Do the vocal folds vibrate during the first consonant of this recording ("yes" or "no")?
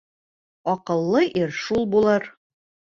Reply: no